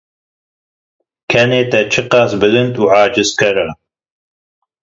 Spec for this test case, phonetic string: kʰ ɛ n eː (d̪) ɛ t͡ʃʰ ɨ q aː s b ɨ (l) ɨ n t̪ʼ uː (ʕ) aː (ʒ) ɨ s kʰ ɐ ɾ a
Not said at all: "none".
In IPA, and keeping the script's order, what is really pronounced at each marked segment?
t̪, l, ʕ, d͡ʒ

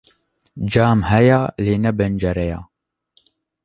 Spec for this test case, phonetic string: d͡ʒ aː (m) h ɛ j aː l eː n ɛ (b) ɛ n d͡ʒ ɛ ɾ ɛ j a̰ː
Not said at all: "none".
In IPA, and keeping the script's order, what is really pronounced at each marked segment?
m, b

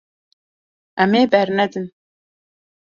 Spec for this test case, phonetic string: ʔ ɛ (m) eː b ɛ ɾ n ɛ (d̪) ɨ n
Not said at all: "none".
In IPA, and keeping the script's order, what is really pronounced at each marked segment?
m, d̪

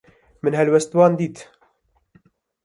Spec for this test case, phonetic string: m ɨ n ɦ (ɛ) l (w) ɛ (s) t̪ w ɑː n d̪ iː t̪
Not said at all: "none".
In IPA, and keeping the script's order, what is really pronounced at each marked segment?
ɛ, w, s

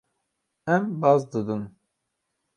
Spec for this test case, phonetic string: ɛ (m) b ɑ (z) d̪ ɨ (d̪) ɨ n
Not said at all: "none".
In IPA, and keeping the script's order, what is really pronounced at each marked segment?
m, z, d̪

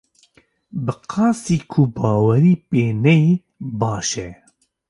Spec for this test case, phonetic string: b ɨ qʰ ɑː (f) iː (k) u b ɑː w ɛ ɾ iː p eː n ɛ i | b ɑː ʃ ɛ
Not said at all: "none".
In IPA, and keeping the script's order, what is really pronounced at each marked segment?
s, kʰ

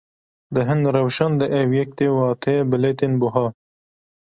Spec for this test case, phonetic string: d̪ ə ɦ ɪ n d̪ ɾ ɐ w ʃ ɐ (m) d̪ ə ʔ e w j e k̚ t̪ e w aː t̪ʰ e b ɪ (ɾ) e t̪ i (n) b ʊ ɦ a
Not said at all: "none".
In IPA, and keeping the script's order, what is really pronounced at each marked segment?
n, l, n

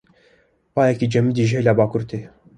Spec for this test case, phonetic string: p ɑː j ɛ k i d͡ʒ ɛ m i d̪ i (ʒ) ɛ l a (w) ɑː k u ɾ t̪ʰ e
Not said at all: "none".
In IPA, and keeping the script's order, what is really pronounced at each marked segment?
ʒ, b

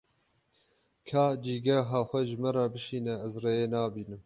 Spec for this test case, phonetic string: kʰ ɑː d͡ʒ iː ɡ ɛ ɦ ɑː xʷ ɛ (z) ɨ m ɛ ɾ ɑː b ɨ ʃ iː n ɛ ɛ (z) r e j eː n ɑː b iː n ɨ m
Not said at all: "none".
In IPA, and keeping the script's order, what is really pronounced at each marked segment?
ʒ, z

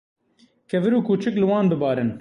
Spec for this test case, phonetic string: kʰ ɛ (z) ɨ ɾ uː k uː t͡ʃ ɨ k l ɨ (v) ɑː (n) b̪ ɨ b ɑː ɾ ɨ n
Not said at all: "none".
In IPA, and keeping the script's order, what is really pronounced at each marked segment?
v, w, n

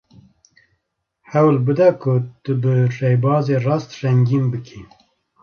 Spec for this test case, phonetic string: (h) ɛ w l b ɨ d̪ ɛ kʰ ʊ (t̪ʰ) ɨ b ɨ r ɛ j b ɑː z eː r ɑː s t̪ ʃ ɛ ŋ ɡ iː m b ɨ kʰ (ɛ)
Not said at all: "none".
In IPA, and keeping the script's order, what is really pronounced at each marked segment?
h, t̪, i

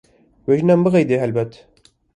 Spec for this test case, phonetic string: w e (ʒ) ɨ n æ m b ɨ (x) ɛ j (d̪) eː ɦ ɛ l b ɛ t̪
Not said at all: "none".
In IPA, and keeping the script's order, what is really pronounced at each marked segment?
ʒ, ɣ, d̪

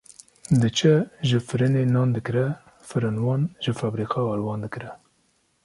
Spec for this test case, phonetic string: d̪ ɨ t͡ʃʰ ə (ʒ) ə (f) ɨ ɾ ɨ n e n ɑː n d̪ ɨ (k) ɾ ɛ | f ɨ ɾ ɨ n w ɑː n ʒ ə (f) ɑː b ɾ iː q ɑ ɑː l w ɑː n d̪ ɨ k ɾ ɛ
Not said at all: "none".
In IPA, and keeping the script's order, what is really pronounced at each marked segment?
ʒ, f, k, f

